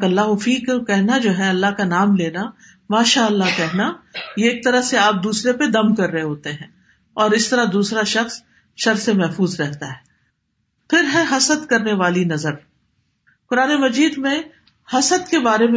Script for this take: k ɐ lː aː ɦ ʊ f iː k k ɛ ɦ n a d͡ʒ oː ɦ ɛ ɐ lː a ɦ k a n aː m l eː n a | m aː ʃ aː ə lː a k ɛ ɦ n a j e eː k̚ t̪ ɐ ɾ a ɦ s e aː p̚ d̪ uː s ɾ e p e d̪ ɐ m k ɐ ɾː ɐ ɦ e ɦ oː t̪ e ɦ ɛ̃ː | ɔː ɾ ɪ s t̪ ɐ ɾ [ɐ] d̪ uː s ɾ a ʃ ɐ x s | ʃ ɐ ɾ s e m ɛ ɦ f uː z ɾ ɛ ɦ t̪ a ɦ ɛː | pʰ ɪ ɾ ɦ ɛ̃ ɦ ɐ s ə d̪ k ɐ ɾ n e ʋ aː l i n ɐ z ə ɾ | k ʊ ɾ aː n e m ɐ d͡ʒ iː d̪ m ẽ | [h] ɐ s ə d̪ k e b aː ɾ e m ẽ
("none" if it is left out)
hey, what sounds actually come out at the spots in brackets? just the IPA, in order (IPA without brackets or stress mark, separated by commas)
a, h